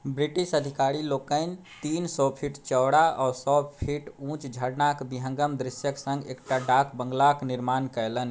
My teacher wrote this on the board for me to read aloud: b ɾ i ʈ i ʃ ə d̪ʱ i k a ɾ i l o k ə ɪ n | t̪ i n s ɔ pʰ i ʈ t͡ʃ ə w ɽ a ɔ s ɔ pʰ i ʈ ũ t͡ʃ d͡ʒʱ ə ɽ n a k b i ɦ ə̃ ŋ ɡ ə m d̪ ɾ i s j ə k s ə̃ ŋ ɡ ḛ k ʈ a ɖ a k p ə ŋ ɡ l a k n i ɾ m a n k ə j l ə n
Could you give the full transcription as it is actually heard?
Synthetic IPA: b ɾ i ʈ i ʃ ə d̪ʱ i k a ɾ i l o k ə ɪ n | t̪ i n s ɔ pʰ i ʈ t͡ʃ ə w ɽ a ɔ s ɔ pʰ i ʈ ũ t͡ʃ d͡ʒʱ ə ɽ n a k b i ɦ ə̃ ŋ ɡ ə m d̪ ɾ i s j ə k s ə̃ ŋ ɡ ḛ k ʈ a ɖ a k b ə ŋ ɡ l a k n i ɾ m a n k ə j l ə n